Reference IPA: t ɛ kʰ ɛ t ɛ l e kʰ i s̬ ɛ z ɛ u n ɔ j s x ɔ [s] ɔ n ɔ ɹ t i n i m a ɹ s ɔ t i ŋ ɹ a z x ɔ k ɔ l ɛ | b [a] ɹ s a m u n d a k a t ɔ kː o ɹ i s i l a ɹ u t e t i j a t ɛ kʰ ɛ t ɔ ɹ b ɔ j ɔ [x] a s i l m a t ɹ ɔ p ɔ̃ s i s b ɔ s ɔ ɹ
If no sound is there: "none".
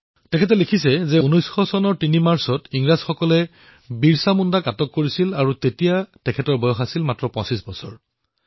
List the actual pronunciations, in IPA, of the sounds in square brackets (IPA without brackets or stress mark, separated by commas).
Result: s, i, x